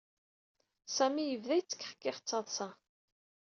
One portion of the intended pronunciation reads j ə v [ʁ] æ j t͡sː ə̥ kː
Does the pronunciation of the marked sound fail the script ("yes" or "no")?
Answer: yes